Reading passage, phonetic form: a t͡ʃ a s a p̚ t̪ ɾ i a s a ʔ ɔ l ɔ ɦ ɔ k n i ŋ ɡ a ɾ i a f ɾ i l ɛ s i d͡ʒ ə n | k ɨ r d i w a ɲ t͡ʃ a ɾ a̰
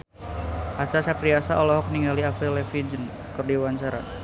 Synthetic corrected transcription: a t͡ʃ a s a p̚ t̪ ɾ i a s a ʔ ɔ l ɔ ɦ ɔ k n i ŋ ɡ a l i a f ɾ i l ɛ f i d͡ʒ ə n | k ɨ r d i w a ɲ t͡ʃ a ɾ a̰